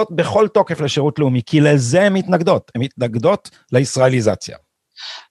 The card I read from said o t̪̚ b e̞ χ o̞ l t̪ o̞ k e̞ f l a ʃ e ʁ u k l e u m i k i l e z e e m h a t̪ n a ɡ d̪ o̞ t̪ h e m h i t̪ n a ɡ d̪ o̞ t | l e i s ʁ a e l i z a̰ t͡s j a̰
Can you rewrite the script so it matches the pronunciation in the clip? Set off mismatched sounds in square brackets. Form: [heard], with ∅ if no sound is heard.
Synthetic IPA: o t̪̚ b e̞ χ o̞ l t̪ o̞ k e̞ f l [e] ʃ e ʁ u [t] l e u m i k i l e z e e m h [i] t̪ n a ɡ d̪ o̞ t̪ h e m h i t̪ n a ɡ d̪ o̞ t | l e i s ʁ a e l i z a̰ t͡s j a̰